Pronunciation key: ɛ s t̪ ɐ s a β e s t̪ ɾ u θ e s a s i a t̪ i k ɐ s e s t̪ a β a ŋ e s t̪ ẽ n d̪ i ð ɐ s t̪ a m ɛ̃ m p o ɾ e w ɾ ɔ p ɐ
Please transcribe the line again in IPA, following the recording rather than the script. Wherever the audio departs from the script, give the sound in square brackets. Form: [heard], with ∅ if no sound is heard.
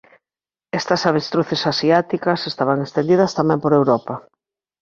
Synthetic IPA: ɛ s t̪ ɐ s a β e s t̪ ɾ u θ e s a s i a t̪ i k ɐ s e s t̪ a β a ŋ e s t̪ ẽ n d̪ i ð ɐ s t̪ a m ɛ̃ m p o ɾ e w ɾ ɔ p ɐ